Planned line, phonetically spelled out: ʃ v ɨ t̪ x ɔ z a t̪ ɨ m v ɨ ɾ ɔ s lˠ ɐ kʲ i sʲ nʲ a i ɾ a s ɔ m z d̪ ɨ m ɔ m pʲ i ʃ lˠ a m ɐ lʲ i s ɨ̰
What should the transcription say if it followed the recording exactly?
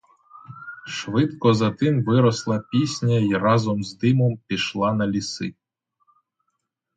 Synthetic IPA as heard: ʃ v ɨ t̪ k ɔ z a t̪ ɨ m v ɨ ɾ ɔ s lˠ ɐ pʲ i sʲ nʲ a i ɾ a z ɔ m z d̪ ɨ m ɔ m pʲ i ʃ lˠ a n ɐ lʲ i s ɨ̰